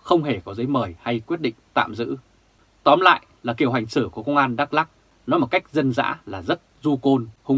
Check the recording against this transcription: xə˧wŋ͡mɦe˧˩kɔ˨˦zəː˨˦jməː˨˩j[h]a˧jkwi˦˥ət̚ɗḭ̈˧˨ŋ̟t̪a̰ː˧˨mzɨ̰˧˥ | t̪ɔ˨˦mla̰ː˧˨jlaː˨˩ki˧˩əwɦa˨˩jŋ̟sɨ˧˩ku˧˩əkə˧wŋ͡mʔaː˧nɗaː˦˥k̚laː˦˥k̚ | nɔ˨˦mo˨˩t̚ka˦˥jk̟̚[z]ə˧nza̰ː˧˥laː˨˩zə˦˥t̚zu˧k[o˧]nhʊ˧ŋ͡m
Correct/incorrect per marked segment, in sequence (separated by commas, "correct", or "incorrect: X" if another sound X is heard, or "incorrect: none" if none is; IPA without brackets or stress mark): correct, correct, correct